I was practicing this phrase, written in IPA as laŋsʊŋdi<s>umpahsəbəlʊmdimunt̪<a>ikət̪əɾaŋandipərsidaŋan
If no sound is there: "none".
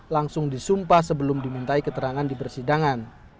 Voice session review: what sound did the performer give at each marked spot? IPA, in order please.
s, a

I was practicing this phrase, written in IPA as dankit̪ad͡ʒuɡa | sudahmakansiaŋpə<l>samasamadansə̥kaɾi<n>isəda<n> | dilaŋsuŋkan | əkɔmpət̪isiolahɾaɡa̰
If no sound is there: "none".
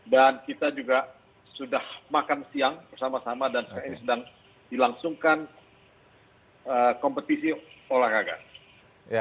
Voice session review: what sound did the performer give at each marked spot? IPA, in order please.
r, n, ŋ

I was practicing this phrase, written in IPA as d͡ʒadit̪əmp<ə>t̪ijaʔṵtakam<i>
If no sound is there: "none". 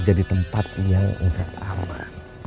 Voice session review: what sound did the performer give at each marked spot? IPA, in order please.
a, a

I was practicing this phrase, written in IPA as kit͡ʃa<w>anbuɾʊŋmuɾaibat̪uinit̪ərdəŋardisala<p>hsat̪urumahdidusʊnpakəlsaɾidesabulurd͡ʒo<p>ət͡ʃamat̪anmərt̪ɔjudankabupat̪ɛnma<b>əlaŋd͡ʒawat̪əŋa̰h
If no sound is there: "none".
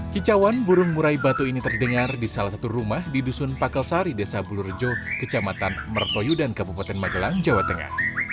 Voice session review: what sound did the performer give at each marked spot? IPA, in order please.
w, none, k, ɡ

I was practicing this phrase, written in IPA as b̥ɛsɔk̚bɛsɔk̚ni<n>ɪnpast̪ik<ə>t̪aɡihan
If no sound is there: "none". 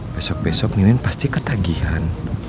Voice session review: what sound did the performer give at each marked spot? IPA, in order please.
n, ə

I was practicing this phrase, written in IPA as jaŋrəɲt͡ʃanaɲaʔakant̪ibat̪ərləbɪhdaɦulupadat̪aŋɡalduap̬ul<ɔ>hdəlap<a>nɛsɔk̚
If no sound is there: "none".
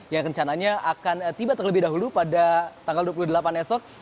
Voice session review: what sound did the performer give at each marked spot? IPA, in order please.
u, a

